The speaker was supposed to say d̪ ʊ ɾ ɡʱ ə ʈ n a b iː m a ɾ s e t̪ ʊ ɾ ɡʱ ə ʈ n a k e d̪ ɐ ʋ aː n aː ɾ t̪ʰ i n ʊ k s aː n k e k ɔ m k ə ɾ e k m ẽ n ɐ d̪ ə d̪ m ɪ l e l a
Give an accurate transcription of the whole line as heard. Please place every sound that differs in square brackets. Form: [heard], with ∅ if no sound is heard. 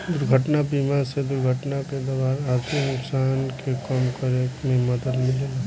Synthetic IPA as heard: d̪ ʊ ɾ ɡʱ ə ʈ n a b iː m a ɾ s e [d̪] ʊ ɾ ɡʱ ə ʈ n a k e d̪ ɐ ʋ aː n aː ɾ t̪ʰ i n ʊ k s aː n k e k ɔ m k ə ɾ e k m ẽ [m] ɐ d̪ ə d̪ m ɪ l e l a